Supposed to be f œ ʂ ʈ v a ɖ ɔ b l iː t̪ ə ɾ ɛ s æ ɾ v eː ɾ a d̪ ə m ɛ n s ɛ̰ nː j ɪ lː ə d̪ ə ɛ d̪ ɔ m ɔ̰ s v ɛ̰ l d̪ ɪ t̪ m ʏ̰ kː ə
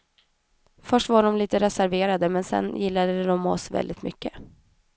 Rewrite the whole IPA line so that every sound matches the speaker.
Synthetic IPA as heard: f œ ʂ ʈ v a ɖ ɔ m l iː t̪ ə ɾ ɛ s æ ɾ v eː ɾ a d̪ ə m ɛ n s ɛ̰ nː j ɪ lː a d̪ ə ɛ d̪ ɔ m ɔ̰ s v ɛ̰ l d̪ ɪ t̪ m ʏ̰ kː ə